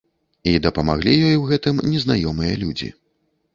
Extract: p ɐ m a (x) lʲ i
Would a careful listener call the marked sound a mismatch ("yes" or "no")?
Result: yes